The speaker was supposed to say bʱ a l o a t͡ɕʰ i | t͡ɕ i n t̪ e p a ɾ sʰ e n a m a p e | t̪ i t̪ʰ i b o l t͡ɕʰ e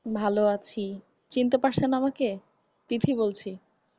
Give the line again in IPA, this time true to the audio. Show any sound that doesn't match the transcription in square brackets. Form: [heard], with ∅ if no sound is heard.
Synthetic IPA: bʱ a l o a t͡ɕʰ i | t͡ɕ i n t̪ e p a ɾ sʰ e n a m a [k] e | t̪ i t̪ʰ i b o l t͡ɕʰ [i]